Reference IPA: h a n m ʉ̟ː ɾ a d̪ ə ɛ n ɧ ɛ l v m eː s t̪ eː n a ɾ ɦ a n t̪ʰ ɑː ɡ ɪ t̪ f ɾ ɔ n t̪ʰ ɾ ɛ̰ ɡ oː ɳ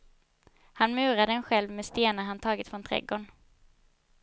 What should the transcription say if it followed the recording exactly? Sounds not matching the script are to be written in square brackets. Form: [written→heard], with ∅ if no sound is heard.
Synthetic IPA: h a n m ʉ̟ː ɾ a d̪ ə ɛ n ɧ ɛ l v m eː s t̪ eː n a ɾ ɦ a n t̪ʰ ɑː ɡ ɪ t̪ f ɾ ɔ n t̪ʰ ɾ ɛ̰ ɡ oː ɳ

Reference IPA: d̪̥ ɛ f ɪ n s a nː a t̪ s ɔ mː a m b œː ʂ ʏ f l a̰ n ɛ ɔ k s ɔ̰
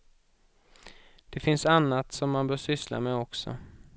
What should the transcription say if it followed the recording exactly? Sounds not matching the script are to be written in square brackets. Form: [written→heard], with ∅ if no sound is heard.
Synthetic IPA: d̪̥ ɛ f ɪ n s a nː a t̪ s ɔ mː a [m→n] b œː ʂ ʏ [f→s] l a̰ [n→m] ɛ ɔ k s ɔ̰

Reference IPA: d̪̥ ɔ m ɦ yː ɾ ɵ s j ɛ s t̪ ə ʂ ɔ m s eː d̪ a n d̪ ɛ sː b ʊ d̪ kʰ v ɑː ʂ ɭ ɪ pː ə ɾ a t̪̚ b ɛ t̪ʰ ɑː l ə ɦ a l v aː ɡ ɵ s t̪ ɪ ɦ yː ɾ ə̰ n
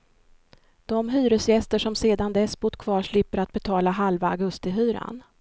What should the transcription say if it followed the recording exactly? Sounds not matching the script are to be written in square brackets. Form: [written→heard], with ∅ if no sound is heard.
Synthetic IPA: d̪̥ ɔ m ɦ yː ɾ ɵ s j ɛ s t̪ ə ʂ ɔ m s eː d̪ a n d̪ ɛ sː b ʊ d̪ kʰ v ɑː ʂ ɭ ɪ pː ə ɾ a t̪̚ b ɛ t̪ʰ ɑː l [ə→a] ɦ a l v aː ɡ ɵ s t̪ ɪ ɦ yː ɾ [ə̰→a̰] n

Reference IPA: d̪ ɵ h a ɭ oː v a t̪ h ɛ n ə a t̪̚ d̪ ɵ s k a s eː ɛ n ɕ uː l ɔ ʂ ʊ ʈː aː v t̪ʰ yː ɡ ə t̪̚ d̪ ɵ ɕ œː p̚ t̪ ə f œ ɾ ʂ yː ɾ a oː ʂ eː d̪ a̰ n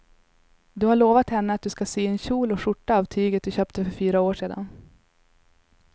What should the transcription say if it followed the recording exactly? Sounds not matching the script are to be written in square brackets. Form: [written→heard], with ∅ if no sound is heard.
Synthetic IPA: d̪ ɵ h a ɭ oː v a t̪ h ɛ [n→nː] ə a t̪̚ d̪ ɵ s k a s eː ɛ n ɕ uː l ɔ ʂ ʊ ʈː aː v t̪ʰ yː ɡ ə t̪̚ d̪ ɵ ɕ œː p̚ t̪ ə f œ ɾ [ʂ→f] yː ɾ a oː ʂ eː d̪ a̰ n

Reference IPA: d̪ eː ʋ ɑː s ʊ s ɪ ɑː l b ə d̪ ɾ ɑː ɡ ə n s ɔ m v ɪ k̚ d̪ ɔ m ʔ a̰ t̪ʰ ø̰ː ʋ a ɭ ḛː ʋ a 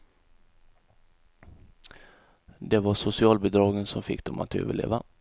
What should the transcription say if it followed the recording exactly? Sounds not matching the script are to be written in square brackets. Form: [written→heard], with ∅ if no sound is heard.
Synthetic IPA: d̪ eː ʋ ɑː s ʊ s ɪ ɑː l b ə d̪ ɾ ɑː ɡ ə n s ɔ m [v→f] ɪ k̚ d̪ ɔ m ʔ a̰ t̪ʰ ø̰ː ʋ [a→ə] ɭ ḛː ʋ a

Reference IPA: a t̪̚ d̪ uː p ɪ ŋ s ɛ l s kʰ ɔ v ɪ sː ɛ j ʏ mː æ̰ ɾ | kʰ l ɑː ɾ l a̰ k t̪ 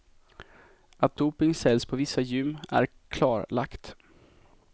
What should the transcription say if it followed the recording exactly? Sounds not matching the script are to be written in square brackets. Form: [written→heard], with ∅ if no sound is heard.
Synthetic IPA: a t̪̚ d̪ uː p ɪ ŋ s ɛ l s [kʰ→pʰ] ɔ v ɪ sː [ɛ→a] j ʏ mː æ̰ ɾ | kʰ l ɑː ɾ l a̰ k t̪

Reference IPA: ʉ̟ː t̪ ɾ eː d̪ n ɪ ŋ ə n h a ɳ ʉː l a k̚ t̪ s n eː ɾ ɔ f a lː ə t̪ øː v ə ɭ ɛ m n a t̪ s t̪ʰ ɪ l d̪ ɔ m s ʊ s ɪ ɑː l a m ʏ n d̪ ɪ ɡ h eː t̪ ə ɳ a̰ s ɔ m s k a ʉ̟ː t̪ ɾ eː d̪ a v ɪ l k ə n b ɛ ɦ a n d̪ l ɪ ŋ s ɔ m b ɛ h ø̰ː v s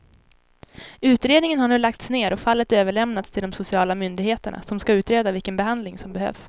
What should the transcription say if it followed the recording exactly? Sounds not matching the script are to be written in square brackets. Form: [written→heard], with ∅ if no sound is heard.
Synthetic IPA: ʉ̟ː t̪ ɾ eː d̪ n ɪ ŋ ə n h a ɳ ʉː l a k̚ t̪ s n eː ɾ ɔ f a lː ə t̪ øː v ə ɭ ɛ m n a t̪ s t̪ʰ ɪ l d̪ ɔ m s ʊ s ɪ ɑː l a m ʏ n d̪ ɪ ɡ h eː t̪ ə ɳ a̰ s ɔ m s k a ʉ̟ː t̪ ɾ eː d̪ a v ɪ l k ə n b ɛ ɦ a n d̪ l ɪ ŋ s ɔ m b ɛ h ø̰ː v s

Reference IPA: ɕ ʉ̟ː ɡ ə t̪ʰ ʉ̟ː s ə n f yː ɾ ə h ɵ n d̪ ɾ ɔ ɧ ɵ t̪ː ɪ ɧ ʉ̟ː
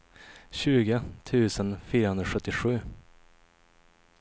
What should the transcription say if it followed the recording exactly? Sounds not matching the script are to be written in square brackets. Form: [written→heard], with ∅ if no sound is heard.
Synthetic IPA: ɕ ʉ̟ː ɡ ə t̪ʰ ʉ̟ː s ə n f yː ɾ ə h ɵ n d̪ ɾ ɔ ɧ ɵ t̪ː ɪ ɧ ʉ̟ː

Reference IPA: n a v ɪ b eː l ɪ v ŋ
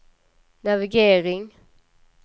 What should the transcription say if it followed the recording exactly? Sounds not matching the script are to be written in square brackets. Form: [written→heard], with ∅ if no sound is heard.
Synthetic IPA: n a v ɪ [b→ɡ] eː [l→ɾ] ɪ [v→∅] ŋ

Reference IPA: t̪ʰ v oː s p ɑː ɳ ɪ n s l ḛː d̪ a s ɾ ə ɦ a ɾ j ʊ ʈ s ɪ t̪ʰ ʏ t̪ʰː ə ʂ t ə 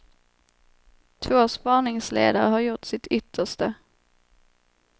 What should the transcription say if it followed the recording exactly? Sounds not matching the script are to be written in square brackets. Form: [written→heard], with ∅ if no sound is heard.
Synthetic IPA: t̪ʰ v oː s p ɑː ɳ ɪ [n→ŋ] s l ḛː d̪ a [s→∅] ɾ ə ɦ a ɾ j ʊ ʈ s ɪ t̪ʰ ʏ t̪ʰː ə ʂ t ə

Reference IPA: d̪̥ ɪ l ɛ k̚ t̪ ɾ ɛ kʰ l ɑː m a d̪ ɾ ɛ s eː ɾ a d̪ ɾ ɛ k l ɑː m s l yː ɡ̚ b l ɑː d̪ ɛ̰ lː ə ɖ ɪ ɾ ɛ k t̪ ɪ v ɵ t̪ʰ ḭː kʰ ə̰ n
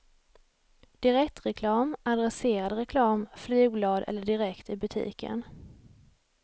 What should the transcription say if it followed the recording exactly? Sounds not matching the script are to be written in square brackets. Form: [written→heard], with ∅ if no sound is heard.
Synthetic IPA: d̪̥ ɪ [l→ɾ] ɛ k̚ t̪ ɾ ɛ kʰ l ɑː m a d̪ ɾ ɛ s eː ɾ a d̪ ɾ ɛ [k→kʰ] l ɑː m [s→f] l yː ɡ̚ b l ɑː d̪ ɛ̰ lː ə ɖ ɪ ɾ ɛ k t̪ ɪ [v→b] ɵ t̪ʰ ḭː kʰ ə̰ n

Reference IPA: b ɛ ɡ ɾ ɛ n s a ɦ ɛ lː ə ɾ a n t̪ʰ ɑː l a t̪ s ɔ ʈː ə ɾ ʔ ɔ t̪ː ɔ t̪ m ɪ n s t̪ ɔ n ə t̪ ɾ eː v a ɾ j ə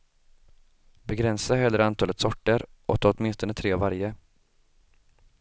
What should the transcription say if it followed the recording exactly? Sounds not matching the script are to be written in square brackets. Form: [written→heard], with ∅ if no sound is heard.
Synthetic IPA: b ɛ ɡ ɾ ɛ n s a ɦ ɛ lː ə ɾ a n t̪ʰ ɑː l [a→ə] t̪ s ɔ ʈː ə ɾ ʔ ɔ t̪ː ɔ t̪ m ɪ n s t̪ ɔ n ə [t̪→t̪ʰ] ɾ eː v a ɾ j ə

